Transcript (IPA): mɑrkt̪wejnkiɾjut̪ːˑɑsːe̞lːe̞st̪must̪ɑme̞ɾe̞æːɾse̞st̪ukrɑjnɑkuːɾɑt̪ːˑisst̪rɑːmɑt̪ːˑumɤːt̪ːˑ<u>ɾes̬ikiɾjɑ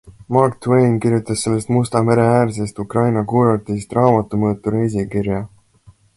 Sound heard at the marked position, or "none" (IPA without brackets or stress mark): u